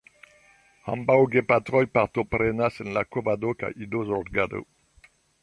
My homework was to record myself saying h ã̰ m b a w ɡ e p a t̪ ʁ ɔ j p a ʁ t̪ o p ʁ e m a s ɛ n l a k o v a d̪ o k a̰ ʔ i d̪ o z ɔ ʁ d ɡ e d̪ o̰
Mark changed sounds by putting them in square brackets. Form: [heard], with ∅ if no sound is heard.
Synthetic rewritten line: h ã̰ m b a w ɡ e p a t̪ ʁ ɔ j p a ʁ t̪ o p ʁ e [n] a s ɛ n l a k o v a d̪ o k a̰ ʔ i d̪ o z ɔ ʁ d ɡ [a] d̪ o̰